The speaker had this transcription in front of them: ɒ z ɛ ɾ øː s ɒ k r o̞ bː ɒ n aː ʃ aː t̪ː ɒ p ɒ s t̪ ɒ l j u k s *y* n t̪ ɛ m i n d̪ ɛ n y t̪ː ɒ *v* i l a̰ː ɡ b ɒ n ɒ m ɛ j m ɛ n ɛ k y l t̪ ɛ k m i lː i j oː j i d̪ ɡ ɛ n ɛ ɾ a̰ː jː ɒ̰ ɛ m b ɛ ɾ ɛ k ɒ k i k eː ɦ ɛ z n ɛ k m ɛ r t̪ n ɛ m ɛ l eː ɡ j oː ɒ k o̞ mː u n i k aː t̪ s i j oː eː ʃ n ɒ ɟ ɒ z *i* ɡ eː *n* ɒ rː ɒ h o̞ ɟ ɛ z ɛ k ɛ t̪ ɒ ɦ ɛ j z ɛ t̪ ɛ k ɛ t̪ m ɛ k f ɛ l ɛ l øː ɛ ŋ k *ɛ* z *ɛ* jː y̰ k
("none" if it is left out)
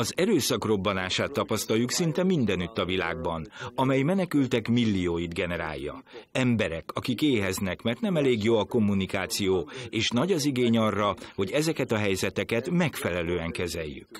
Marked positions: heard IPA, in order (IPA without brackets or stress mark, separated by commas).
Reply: i, v, i, ɲ, ɛ, ɛ